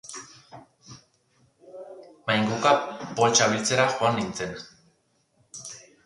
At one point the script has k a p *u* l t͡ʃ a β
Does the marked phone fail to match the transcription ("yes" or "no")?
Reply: yes